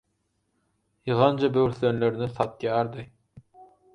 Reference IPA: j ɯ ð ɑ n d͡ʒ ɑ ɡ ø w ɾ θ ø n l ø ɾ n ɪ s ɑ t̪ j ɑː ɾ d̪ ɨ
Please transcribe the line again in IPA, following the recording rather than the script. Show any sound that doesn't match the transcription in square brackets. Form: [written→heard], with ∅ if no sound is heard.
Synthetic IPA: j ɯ [ð→ʁ] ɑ n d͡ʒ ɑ [ɡ→b] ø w ɾ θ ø n l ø ɾ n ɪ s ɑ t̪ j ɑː ɾ d̪ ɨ